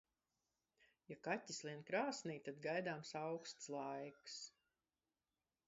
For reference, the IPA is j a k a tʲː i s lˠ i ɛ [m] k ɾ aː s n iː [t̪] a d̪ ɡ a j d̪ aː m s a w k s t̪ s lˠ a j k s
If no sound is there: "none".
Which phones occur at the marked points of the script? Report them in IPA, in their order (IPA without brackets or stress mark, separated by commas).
n, t̪